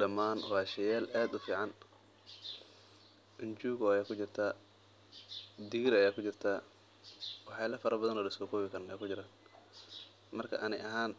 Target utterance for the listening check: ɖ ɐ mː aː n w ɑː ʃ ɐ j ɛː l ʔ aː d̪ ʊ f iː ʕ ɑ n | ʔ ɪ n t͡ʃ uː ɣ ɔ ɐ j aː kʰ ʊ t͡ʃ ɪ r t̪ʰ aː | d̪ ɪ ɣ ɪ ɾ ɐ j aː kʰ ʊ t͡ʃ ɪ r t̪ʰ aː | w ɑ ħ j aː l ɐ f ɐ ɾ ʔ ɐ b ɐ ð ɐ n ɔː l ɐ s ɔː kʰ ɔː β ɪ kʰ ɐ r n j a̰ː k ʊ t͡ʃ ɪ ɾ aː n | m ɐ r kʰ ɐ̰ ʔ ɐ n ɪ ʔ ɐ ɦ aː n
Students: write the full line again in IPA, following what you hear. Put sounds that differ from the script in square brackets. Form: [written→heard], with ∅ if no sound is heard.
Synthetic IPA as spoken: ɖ ɐ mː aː n w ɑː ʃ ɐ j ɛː l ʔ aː d̪ ʊ f iː ʕ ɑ n | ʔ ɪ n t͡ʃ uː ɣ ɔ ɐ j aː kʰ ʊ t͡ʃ ɪ r t̪ʰ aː | d̪ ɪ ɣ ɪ ɾ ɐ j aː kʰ ʊ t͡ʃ ɪ r t̪ʰ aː | w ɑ ħ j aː l ɐ f ɐ ɾ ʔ ɐ b ɐ ð ɐ n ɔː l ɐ s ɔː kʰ ɔː β ɪ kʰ ɐ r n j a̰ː k ʊ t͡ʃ ɪ ɾ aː n | m ɐ r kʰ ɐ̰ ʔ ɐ n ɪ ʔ ɐ ɦ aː n

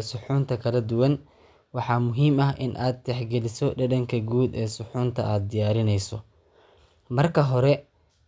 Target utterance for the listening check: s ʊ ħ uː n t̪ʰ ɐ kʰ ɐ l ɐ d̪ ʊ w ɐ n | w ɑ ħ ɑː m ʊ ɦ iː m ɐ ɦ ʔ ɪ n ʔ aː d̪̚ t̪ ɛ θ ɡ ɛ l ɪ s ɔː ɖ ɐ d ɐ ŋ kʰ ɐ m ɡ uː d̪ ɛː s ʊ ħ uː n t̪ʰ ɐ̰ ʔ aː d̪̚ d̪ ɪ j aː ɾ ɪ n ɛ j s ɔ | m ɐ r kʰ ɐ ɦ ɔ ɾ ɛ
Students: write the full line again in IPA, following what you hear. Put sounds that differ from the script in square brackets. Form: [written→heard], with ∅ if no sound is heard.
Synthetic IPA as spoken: s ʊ ħ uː n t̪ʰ ɐ kʰ ɐ l ɐ d̪ ʊ w ɐ n | w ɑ ħ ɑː m ʊ ɦ iː m ɐ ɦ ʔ ɪ n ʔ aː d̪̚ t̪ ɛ [θ→ħ] ɡ ɛ l ɪ s [ɔː→ɔ] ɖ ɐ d ɐ ŋ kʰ ɐ [m→∅] ɡ uː d̪ ɛː s ʊ ħ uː n t̪ʰ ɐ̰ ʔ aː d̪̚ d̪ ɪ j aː ɾ ɪ n ɛ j s ɔ | m ɐ r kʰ ɐ ɦ ɔ ɾ ɛ

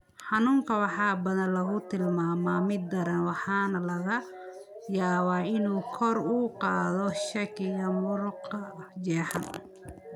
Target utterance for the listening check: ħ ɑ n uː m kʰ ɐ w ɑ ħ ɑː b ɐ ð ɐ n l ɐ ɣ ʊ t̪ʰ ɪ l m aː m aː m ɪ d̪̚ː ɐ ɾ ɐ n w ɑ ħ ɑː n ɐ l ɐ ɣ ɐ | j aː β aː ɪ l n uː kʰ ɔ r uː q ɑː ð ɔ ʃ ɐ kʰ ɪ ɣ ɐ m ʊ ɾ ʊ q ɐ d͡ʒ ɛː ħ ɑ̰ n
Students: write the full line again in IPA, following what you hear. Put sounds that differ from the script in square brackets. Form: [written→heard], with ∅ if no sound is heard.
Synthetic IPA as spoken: ħ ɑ n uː [m→ŋ] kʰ ɐ w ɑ ħ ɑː b ɐ ð ɐ n l ɐ ɣ ʊ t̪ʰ ɪ l m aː m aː m ɪ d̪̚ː ɐ ɾ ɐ n w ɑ ħ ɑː n ɐ l ɐ ɣ ɐ | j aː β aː ɪ [l→∅] n uː kʰ ɔ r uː q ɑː ð ɔ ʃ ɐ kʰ ɪ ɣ ɐ m ʊ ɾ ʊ q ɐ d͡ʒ ɛː ħ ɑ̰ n

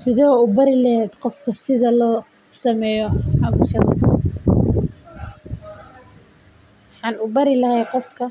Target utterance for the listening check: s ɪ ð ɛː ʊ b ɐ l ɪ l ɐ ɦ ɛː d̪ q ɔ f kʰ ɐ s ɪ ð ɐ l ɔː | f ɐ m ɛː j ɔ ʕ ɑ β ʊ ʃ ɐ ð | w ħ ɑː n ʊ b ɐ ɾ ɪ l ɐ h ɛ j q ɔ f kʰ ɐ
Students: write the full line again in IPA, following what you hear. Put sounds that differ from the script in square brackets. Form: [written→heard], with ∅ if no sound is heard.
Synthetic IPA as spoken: s ɪ ð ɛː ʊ b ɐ [l→ɾ] ɪ l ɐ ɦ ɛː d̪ q ɔ f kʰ ɐ s ɪ ð ɐ l ɔː | [f→s] ɐ m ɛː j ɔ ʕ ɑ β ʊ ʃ ɐ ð | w ħ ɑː n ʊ b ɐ ɾ ɪ l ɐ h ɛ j q ɔ f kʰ ɐ

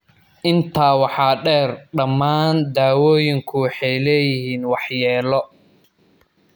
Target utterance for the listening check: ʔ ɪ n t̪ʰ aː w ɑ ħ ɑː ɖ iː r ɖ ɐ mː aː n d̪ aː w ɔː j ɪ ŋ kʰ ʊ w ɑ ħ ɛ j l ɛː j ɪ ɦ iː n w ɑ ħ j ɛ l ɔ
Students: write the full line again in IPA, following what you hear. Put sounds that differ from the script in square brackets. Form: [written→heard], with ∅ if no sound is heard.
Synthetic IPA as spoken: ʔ ɪ n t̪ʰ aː w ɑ ħ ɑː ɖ [iː→ɛː] r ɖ ɐ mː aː n d̪ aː w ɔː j ɪ ŋ kʰ ʊ w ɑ ħ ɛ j l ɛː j ɪ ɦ iː n w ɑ ħ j [ɛ→ɛː] l ɔ

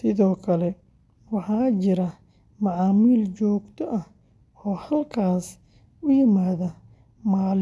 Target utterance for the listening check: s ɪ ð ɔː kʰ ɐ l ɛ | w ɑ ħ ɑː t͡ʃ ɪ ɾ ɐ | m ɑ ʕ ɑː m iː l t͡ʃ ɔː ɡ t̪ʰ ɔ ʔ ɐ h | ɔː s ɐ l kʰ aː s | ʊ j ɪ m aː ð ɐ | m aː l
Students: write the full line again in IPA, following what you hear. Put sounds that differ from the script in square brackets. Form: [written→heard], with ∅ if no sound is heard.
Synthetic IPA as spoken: s ɪ ð ɔː kʰ ɐ l ɛ | w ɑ ħ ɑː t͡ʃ ɪ ɾ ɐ | m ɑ ʕ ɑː m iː l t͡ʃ ɔː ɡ t̪ʰ ɔ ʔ ɐ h | ɔː [s→h] ɐ l kʰ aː s | ʊ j ɪ m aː ð ɐ | m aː l

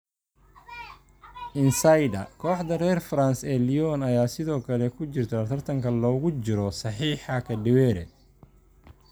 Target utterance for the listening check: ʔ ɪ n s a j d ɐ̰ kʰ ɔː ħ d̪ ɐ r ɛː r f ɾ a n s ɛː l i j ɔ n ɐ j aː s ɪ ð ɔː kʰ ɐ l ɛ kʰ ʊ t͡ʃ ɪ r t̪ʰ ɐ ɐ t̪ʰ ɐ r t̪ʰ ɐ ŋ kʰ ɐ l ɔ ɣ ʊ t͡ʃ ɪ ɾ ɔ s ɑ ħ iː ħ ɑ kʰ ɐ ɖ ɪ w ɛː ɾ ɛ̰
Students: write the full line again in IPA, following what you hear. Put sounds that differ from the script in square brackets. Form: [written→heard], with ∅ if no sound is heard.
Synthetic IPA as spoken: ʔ ɪ n s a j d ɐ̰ kʰ ɔː ħ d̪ ɐ r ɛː r f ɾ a n s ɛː l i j ɔ n ɐ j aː s ɪ ð ɔː kʰ ɐ l ɛ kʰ ʊ t͡ʃ ɪ r t̪ʰ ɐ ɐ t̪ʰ ɐ r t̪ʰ ɐ ŋ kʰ ɐ l [ɔ→ɔː] ɣ ʊ t͡ʃ ɪ ɾ ɔ s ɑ ħ iː ħ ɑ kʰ ɐ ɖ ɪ w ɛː ɾ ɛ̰

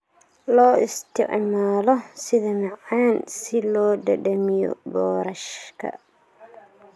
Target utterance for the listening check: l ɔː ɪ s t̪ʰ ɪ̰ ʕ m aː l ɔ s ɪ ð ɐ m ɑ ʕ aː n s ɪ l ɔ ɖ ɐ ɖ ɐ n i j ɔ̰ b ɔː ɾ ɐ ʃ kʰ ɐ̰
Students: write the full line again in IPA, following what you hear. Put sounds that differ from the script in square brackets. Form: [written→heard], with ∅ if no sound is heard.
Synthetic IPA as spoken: l ɔː ɪ s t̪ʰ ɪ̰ ʕ m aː l ɔ s ɪ ð ɐ m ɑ ʕ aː n s ɪ l [ɔ→ɔː] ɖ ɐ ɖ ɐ [n→m] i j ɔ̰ b ɔː ɾ ɐ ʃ kʰ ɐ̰

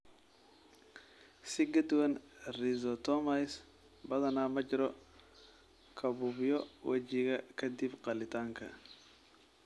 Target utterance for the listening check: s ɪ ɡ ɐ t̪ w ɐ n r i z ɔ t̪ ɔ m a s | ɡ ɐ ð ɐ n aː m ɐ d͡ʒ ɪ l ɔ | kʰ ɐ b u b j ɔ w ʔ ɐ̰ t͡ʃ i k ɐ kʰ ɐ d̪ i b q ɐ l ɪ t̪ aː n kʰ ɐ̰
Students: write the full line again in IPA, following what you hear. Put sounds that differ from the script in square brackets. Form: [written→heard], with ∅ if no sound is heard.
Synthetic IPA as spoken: s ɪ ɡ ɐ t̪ w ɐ n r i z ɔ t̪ ɔ m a s | [ɡ→b] ɐ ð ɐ n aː m ɐ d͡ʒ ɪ [l→ɾ] ɔ | kʰ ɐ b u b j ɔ w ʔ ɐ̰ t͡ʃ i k ɐ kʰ ɐ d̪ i b q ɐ l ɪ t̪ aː [n→ŋ] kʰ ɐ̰

